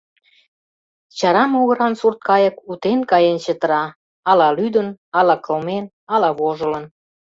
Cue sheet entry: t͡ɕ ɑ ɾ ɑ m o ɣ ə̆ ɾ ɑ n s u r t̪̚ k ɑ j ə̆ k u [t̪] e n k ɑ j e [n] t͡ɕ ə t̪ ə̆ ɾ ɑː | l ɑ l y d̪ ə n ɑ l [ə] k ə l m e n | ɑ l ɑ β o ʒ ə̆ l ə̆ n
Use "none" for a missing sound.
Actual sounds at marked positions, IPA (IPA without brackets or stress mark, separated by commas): t̪, n, ɑ